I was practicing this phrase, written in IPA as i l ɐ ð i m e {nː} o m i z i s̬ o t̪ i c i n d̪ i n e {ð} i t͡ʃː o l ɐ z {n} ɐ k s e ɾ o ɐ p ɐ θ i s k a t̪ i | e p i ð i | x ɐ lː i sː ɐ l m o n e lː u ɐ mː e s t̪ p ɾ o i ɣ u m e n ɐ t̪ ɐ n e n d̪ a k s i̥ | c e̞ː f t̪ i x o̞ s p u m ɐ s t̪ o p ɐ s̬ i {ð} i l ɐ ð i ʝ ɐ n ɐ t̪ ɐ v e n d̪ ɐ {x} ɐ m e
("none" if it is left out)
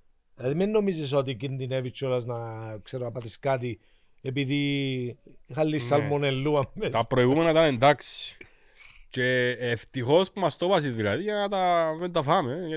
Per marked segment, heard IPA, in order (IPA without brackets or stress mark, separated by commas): nː, v, n, ð, f